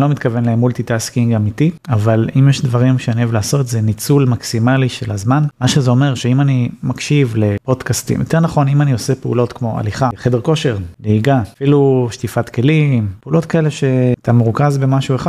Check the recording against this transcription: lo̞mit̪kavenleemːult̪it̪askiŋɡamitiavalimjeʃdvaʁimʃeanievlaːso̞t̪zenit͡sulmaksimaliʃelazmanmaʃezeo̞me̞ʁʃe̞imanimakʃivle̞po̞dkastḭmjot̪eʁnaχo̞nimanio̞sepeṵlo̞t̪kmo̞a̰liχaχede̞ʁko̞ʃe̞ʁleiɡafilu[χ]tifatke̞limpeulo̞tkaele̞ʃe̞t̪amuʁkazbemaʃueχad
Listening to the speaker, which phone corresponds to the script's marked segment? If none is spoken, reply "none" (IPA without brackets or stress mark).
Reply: ʃ